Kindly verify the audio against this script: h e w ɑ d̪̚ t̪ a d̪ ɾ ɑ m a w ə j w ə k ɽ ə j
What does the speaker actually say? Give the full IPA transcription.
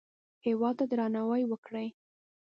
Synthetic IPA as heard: h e w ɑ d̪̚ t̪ a d̪ ɾ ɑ n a w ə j w ə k ɽ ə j